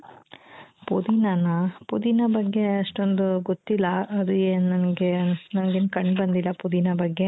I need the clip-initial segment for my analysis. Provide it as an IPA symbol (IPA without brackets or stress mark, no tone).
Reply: p